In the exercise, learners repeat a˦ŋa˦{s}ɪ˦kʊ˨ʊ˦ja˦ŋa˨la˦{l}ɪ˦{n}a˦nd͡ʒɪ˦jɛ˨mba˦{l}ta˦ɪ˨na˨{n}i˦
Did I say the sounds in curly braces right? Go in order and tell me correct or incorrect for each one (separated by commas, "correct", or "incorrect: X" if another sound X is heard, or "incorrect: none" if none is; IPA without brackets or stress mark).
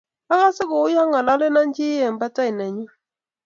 correct, correct, correct, incorrect: none, incorrect: ɲ